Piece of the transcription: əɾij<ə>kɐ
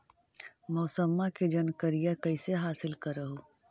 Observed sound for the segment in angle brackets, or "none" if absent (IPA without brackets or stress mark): a